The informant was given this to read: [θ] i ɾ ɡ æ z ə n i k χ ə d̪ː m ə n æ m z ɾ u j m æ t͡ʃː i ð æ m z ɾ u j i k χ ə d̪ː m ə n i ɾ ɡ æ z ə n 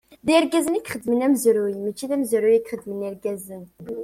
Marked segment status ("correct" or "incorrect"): incorrect